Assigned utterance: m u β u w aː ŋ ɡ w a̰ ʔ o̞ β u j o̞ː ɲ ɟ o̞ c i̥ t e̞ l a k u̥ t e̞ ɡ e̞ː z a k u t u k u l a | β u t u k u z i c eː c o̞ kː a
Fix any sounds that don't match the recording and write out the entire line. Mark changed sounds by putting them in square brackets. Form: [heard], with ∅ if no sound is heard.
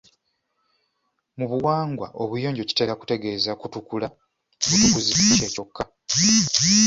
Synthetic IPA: m u β u w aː ŋ ɡ w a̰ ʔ o̞ β u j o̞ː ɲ ɟ o̞ c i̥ t e̞ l a k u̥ t e̞ ɡ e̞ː z a k u t u k u l a | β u t u k u z i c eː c o̞ kː a